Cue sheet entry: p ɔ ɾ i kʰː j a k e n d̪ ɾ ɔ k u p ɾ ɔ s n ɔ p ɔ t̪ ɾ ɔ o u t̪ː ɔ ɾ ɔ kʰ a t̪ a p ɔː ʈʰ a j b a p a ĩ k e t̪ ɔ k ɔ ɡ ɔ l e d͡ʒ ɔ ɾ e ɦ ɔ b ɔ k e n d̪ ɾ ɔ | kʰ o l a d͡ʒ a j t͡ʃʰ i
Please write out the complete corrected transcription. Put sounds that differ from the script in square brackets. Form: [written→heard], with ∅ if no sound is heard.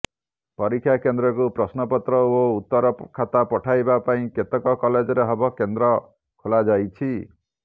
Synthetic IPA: p ɔ ɾ i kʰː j a k e n d̪ ɾ ɔ k u p ɾ ɔ s n ɔ p ɔ t̪ ɾ ɔ o u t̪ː ɔ ɾ ɔ kʰ a t̪ a p [ɔː→ɔ] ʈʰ a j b a p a ĩ k e t̪ ɔ k ɔ [ɡ→k] ɔ l e d͡ʒ ɔ ɾ e ɦ ɔ b ɔ k e n d̪ ɾ ɔ | kʰ o l a d͡ʒ a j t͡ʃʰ i